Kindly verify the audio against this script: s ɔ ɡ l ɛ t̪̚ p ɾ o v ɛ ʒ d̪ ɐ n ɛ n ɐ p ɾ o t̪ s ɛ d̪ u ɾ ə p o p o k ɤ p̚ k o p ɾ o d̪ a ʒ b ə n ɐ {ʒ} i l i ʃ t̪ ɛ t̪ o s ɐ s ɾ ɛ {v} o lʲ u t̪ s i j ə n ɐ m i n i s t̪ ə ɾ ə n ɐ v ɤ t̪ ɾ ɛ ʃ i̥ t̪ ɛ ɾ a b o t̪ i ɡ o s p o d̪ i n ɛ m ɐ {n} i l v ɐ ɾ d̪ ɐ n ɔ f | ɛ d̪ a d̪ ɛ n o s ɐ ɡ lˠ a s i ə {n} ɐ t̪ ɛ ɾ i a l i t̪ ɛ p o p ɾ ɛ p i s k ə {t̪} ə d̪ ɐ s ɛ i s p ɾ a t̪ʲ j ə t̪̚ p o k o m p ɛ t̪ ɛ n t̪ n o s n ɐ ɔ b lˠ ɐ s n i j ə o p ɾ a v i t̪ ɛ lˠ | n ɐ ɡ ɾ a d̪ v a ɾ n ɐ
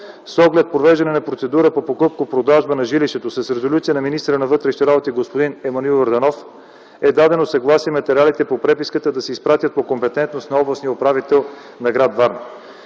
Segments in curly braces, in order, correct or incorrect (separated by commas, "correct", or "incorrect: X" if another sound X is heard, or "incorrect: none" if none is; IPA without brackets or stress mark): correct, incorrect: z, correct, incorrect: m, correct